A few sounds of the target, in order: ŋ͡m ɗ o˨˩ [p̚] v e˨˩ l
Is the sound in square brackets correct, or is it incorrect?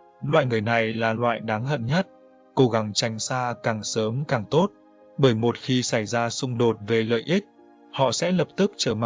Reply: incorrect